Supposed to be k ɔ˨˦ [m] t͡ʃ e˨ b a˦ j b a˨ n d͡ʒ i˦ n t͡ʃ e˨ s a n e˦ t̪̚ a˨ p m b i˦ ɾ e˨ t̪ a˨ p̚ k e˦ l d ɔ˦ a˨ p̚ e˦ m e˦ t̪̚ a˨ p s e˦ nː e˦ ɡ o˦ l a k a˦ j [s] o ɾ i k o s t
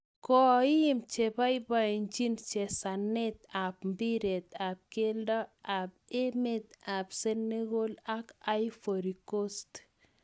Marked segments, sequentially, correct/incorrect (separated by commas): correct, incorrect